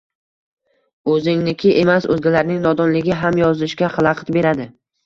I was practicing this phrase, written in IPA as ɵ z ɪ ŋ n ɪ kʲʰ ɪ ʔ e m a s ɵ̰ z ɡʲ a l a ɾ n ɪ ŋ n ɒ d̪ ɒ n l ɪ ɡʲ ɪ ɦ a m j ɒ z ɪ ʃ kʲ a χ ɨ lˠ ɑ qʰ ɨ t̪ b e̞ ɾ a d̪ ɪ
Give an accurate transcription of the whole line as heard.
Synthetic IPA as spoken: ɵ z ɪ ŋ n ɪ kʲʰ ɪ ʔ e m a s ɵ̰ z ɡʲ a l a ɾ n ɪ ŋ n ɒ d̪ ɒ n l ɪ ɡʲ ɪ ɦ a m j ɒ z ɪ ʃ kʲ a χ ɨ lˠ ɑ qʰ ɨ t̪ b e̞ ɾ a d̪ ɪ

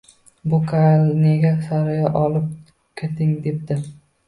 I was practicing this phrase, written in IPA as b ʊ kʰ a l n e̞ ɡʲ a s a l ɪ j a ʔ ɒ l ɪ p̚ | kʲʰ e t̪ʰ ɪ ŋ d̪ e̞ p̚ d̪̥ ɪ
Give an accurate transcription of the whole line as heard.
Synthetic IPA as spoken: b ʊ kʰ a l n e̞ ɡʲ a s a ɾ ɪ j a ʔ ɒ l ɪ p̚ | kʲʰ e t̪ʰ ɪ ŋ d̪ e̞ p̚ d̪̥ ɪ

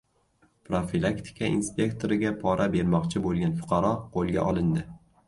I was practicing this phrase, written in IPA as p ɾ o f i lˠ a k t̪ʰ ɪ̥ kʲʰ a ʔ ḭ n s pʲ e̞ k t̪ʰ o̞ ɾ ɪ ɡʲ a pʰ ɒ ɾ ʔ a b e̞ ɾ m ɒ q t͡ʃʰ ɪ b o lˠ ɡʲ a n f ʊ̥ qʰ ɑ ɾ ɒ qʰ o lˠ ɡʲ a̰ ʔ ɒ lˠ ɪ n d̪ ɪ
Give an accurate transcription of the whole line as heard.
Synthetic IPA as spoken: p ɾ o f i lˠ a k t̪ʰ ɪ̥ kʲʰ a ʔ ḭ n s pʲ e̞ k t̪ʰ o̞ ɾ ɪ ɡʲ a pʰ ɒ ɾ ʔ a b e̞ ɾ m ɒ q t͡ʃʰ ɪ b o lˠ ɡʲ a n f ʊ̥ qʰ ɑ ɾ ɒ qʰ o lˠ ɡʲ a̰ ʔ ɒ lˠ ɪ n d̪ ɪ

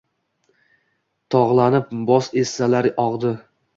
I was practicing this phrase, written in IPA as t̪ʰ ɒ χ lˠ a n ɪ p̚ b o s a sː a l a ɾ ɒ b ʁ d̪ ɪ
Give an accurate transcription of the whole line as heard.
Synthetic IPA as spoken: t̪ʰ ɒ ʁ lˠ a n ɪ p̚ b ɒ s e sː a l a ɾ ɒ ʁ d̪ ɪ

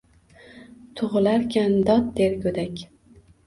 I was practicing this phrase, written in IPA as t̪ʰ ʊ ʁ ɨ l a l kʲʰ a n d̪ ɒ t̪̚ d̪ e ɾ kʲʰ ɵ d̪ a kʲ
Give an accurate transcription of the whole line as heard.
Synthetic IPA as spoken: t̪ʰ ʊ ʁ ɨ l a ɾ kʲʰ a n d̪ ɒ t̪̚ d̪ e ɾ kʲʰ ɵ d̪ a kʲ

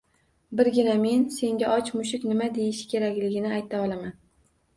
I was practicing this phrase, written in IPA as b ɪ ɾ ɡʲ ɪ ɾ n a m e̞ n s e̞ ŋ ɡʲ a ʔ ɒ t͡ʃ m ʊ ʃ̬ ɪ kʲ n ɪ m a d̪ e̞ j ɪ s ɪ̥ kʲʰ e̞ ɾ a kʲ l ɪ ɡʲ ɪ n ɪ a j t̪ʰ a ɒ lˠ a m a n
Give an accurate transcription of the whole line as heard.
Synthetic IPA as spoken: b ɪ ɾ ɡʲ ɪ n a m e̞ n s e̞ ŋ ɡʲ a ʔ ɒ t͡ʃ m ʊ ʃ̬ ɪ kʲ n ɪ m a d̪ e̞ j ɪ ʃ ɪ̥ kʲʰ e̞ ɾ a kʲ l ɪ ɡʲ ɪ n ɪ a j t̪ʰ a ɒ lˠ a m a n

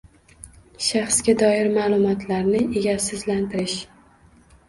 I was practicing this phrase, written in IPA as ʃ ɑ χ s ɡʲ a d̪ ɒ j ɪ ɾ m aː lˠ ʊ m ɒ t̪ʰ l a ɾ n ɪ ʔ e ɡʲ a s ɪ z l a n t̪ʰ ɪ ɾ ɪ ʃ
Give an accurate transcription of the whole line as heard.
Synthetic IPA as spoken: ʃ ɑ χ s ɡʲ a d̪ ɒ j ɪ ɾ m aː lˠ ʊ m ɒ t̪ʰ l a ɾ n ɪ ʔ e ɡʲ a s ɪ z l a n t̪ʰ ɪ ɾ ɪ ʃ

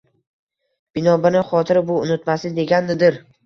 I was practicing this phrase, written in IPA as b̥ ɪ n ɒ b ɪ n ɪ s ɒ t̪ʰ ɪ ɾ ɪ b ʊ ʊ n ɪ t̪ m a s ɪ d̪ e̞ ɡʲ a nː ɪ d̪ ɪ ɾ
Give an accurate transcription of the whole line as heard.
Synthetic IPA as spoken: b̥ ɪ n ɒ b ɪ n ɪ χ ɒ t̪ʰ ɪ ɾ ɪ b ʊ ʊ n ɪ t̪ m a s ɪ d̪ e̞ ɡʲ a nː ɪ d̪ ɪ ɾ

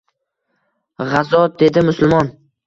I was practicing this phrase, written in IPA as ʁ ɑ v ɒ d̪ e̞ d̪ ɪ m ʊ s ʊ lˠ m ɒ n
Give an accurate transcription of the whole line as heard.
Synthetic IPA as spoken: ʁ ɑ z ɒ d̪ e̞ d̪ ɪ m ʊ s ʊ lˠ m ɒ n

